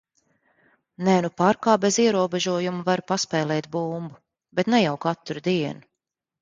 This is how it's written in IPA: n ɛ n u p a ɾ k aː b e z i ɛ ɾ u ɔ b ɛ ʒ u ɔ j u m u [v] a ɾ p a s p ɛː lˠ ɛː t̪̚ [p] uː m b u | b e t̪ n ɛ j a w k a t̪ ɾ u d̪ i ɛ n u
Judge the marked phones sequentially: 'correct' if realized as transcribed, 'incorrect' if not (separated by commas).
correct, incorrect